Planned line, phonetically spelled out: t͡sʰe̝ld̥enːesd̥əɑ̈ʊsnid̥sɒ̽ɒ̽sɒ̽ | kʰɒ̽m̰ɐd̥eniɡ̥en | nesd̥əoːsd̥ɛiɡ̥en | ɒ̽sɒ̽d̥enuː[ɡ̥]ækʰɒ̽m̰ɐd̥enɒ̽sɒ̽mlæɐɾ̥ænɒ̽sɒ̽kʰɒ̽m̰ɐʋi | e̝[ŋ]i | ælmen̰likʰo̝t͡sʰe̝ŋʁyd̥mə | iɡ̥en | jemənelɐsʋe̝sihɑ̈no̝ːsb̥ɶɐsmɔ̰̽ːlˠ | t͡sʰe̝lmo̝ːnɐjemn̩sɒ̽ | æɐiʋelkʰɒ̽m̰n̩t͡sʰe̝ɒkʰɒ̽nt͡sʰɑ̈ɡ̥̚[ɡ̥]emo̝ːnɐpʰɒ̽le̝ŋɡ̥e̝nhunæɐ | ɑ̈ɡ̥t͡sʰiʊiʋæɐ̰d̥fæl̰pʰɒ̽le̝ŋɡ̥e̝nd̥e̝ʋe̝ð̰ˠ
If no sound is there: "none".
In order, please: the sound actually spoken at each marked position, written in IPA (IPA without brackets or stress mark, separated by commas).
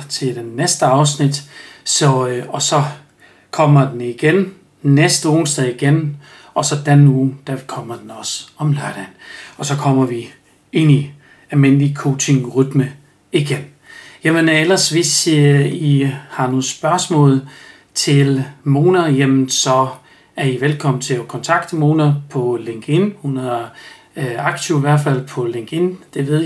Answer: d̥, n, d̥